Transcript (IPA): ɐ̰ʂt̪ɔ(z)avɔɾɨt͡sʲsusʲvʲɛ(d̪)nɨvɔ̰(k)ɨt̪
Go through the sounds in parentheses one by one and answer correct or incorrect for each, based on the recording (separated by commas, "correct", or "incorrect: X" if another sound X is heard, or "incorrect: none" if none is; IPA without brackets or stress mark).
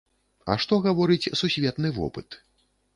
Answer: incorrect: ɣ, incorrect: t̪, incorrect: p